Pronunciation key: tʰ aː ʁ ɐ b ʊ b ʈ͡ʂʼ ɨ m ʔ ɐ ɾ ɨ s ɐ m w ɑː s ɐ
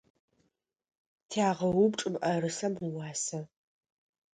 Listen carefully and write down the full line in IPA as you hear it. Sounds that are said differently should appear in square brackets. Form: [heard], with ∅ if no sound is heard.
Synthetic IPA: tʰ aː ʁ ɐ [w] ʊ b ʈ͡ʂʼ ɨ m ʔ ɐ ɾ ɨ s ɐ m w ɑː s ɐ

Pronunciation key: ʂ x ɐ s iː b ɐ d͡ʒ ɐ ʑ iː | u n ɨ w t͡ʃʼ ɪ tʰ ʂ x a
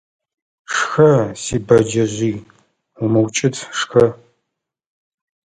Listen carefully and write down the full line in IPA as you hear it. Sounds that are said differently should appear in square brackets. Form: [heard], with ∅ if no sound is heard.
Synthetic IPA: ʂ x ɐ s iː b ɐ d͡ʒ ɐ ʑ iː | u [m] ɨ w t͡ʃʼ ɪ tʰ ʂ x [ɐ]

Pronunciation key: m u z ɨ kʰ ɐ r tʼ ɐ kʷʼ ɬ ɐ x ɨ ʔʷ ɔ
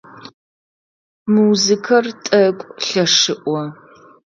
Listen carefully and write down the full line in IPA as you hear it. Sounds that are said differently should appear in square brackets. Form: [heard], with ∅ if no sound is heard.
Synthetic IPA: m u z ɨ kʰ ɐ r tʼ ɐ kʷʼ ɬ ɐ [ʂ] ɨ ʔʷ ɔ

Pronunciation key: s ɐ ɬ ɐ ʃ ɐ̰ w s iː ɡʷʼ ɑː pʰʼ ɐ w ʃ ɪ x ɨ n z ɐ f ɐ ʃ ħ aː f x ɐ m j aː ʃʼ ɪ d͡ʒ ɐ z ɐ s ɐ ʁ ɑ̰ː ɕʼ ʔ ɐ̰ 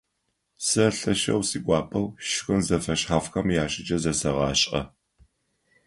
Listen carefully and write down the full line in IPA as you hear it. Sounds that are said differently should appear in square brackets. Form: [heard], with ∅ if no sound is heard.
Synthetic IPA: s ɐ ɬ ɐ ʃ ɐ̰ w s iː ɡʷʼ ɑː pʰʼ ɐ w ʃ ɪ x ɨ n z ɐ f ɐ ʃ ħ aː f x ɐ m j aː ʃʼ ɪ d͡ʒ ɐ z ɐ s ɐ ʁ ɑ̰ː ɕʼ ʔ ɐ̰

